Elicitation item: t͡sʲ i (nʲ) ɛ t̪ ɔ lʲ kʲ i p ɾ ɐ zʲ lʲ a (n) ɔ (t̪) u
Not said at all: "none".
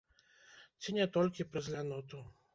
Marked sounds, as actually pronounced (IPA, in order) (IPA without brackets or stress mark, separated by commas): nʲ, n, t̪